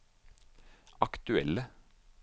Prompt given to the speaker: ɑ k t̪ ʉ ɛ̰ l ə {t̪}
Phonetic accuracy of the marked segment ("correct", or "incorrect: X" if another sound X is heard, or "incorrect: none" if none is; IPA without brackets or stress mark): incorrect: none